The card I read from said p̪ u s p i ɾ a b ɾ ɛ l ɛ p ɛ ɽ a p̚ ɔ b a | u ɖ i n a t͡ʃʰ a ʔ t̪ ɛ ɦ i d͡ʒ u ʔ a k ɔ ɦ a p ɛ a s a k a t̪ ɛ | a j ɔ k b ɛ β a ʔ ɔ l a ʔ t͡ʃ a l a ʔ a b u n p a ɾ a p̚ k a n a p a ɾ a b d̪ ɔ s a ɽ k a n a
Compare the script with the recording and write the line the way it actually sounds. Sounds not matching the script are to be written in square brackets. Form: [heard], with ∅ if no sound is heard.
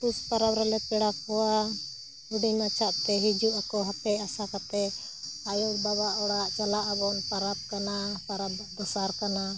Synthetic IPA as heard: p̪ u s p [a] ɾ a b ɾ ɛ l ɛ p ɛ ɽ a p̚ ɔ [w] a | u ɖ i n a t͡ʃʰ a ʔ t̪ ɛ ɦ i d͡ʒ u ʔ a k ɔ ɦ a p ɛ a s a k a t̪ ɛ | a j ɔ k b [a] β a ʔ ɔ [ɽ] a ʔ t͡ʃ a l a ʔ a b [ɔ] n p a ɾ a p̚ k a n a p a ɾ a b d̪ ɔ s a [ɾ] k a n a